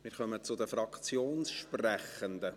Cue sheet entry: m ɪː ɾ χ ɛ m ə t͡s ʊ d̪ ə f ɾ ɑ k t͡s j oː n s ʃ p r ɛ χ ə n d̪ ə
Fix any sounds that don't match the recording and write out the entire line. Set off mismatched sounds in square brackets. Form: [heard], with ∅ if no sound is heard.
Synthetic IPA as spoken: m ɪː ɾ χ [œ] m ə t͡s ʊ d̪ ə f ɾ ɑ k t͡s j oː n s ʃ p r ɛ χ ə n d̪ ə